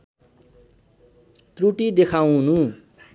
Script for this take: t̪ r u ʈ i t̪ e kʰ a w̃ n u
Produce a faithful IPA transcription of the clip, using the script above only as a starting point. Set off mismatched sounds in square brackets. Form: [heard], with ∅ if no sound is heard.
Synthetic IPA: t̪ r u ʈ i [d̪] e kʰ a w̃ n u